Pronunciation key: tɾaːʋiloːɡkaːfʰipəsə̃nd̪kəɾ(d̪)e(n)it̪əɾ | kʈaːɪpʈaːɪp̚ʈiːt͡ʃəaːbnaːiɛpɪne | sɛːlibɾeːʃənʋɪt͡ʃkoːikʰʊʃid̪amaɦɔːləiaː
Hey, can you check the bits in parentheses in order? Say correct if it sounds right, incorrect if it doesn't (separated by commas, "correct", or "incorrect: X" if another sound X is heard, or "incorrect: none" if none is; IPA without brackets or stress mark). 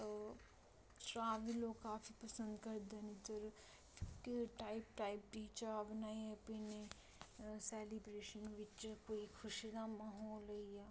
correct, correct